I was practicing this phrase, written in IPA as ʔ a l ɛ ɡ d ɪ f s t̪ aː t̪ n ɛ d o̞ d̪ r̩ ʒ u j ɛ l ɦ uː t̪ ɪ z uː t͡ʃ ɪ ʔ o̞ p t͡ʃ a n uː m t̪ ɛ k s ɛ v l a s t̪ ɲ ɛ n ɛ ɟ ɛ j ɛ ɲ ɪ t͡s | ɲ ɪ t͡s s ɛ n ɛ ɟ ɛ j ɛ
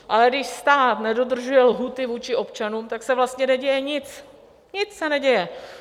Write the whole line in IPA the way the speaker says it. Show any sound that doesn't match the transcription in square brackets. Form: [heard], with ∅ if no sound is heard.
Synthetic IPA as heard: ʔ a l ɛ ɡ d ɪ [ʃ] s t̪ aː t̪ n ɛ d o̞ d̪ r̩ ʒ u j ɛ l ɦ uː t̪ ɪ [v] uː t͡ʃ ɪ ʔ o̞ p t͡ʃ a n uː m t̪ [a] k s ɛ v l a s t̪ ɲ ɛ n ɛ ɟ ɛ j ɛ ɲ ɪ t͡s | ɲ ɪ t͡s s ɛ n ɛ ɟ ɛ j ɛ